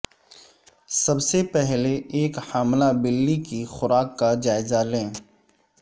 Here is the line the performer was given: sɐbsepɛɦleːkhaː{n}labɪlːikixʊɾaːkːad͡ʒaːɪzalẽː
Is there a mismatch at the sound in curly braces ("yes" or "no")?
yes